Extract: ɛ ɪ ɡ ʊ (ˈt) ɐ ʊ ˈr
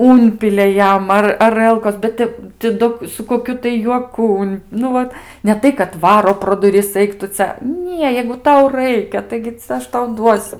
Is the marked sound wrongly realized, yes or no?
no